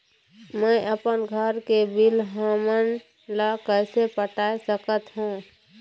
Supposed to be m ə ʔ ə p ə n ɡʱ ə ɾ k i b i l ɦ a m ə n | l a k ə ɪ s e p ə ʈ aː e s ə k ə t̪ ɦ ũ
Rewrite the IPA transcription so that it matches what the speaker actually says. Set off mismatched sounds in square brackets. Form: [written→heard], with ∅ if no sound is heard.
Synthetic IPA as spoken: m ə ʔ ə p ə n ɡʱ ə ɾ k [i→e] b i l ɦ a m ə n | l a k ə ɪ s e p ə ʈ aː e s ə k ə t̪ ɦ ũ